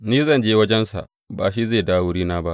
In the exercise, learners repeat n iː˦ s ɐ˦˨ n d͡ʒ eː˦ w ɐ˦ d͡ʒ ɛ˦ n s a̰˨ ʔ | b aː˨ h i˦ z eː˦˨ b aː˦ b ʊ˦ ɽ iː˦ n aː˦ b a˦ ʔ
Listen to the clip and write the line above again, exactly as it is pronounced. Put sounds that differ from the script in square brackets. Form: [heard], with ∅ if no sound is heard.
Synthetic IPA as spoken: n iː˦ [z] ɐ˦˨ n d͡ʒ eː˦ w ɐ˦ d͡ʒ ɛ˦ n s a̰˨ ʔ | b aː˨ [ʃ] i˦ z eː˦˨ [d] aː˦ [w] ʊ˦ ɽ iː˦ n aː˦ b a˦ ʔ